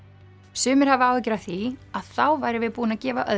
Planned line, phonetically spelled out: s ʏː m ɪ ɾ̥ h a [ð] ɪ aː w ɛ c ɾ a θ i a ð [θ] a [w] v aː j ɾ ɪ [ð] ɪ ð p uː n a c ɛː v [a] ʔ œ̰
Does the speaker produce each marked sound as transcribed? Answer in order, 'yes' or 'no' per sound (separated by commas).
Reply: no, yes, yes, no, yes